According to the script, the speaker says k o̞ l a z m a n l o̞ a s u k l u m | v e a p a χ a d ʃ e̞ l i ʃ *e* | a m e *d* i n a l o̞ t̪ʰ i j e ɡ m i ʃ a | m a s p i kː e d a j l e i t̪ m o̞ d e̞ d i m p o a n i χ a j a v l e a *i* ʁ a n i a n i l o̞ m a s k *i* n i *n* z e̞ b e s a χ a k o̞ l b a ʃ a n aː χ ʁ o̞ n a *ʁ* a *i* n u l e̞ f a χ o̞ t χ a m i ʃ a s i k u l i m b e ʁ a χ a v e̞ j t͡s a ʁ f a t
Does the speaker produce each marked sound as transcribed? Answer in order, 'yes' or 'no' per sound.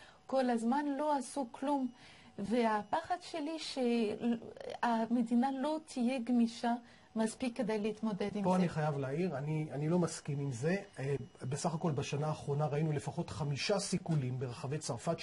yes, yes, yes, yes, no, yes, yes

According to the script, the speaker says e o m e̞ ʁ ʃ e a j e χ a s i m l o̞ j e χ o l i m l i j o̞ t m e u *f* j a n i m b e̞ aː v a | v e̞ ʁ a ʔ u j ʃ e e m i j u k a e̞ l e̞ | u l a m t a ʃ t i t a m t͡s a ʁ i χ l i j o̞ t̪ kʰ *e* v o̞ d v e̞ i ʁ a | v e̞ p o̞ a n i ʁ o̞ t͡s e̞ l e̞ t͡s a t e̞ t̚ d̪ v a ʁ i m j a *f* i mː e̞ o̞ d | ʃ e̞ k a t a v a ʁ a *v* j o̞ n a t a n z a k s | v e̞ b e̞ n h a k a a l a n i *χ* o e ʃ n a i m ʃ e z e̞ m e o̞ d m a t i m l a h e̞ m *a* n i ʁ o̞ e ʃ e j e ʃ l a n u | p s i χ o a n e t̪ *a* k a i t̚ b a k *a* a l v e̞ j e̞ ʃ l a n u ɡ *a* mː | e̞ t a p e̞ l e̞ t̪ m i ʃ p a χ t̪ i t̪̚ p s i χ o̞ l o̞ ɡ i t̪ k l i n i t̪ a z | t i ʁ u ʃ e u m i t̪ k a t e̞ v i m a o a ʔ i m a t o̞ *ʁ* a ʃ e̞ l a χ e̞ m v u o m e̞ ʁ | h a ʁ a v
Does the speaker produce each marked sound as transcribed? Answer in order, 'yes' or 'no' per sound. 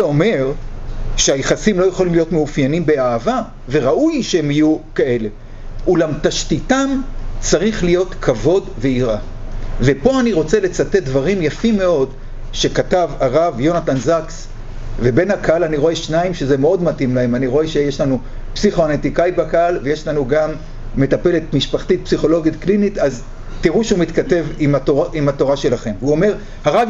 yes, no, yes, yes, no, yes, no, yes, yes, yes

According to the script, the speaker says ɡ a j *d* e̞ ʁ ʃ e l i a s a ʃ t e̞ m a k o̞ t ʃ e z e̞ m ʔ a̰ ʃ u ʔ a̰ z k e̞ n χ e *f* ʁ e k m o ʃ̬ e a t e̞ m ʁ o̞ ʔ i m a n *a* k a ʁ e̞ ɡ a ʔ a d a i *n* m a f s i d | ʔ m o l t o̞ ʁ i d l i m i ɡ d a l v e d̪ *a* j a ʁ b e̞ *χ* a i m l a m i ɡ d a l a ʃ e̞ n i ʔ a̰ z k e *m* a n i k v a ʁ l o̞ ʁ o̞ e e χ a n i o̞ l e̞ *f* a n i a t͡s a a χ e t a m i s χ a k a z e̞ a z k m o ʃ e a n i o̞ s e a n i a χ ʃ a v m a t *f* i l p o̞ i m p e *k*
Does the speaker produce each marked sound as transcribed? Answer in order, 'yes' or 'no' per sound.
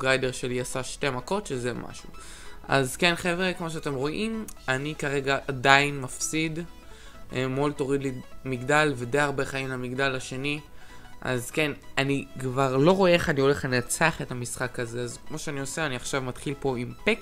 yes, no, no, yes, no, yes, no, no, no, yes

